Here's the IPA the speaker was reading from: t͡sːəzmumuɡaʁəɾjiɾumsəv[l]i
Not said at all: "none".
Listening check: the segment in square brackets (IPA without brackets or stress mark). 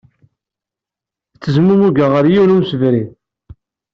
ɾ